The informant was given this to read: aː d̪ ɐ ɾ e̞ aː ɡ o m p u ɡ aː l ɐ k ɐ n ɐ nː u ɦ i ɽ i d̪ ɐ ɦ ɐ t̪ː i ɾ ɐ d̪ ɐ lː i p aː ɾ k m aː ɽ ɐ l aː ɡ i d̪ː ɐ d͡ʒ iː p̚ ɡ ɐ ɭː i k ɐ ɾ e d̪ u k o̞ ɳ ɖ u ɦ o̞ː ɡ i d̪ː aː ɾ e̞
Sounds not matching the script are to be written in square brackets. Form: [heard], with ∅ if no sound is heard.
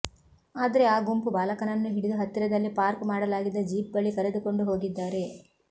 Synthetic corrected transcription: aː d̪ ɐ ɾ e̞ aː ɡ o m p u [b] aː l ɐ k ɐ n ɐ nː u ɦ i ɽ i d̪ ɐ ɦ ɐ t̪ː i ɾ ɐ d̪ ɐ lː i p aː ɾ k m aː ɽ ɐ l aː ɡ i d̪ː ɐ d͡ʒ iː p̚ ɡ ɐ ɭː i k ɐ ɾ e d̪ u k o̞ ɳ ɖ u ɦ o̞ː ɡ i d̪ː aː ɾ e̞